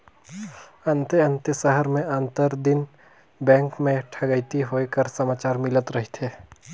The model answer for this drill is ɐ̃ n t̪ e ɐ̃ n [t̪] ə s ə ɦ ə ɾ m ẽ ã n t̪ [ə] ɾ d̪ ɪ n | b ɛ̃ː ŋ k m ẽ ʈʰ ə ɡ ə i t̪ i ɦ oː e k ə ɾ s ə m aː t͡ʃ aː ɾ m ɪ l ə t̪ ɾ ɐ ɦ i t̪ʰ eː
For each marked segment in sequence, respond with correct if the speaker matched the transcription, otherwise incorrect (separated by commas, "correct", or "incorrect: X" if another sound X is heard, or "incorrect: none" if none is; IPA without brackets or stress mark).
correct, correct